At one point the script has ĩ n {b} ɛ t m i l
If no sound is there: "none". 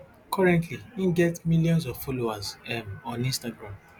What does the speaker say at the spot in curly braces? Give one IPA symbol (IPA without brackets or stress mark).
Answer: ɡ